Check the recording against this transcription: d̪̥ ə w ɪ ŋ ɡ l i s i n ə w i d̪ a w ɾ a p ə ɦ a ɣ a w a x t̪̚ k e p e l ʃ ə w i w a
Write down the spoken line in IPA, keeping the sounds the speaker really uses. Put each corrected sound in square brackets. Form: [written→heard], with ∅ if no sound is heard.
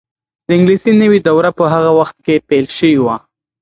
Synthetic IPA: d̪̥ ə [w→∅] ɪ ŋ ɡ l i s i n ə w i d̪ a w ɾ a p ə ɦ a ɣ a w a x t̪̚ k e p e l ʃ ə w i w a

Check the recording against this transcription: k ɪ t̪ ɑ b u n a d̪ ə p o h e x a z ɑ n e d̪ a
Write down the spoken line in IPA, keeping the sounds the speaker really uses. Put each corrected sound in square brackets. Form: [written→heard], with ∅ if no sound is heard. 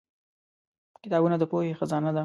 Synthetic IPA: k ɪ t̪ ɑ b u n a d̪ ə p o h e x a z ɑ n [e→a] d̪ a

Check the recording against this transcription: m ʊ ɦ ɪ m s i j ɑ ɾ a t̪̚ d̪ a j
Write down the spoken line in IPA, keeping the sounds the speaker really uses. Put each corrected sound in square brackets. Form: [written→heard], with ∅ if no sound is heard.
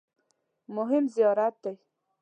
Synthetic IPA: m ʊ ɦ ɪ m [s→z] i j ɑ ɾ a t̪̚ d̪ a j

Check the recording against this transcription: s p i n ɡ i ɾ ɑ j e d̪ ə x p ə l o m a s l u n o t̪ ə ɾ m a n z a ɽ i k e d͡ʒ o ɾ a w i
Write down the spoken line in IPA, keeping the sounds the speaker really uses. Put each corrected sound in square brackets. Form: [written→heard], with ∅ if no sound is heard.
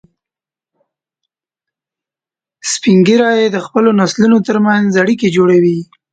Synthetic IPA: s p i [n→ŋ] ɡ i ɾ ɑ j e d̪ ə x p ə l o [m→n] a s l u n o t̪ ə ɾ m a n z a ɽ i k e d͡ʒ o [ɾ→ɽ] a w i

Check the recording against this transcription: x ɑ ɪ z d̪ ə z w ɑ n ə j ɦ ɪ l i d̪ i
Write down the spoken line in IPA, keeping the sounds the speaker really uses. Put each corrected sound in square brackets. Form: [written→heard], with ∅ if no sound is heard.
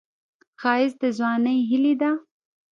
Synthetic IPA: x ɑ ɪ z d̪ ə z w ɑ n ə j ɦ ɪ l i d̪ [i→a]

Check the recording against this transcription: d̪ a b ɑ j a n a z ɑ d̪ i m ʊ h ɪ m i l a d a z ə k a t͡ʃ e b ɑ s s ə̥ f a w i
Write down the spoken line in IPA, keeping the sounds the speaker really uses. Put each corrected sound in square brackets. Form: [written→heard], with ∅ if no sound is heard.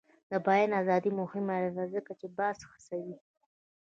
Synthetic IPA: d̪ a b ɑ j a n a z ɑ d̪ i m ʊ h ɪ m [i→a] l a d a z ə k a t͡ʃ e b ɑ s [s→x] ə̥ [f→s] a w i

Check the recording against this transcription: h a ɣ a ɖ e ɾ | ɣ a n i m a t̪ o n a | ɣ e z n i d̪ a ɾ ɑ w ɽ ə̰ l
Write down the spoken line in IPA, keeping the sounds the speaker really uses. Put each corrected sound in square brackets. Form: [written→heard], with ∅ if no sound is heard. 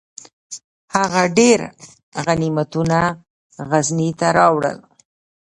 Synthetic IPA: h a ɣ a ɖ e ɾ | ɣ a n i m a t̪ [o→u] n a | ɣ [e→a] z n i [d̪→t̪] a ɾ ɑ w ɽ ə̰ l

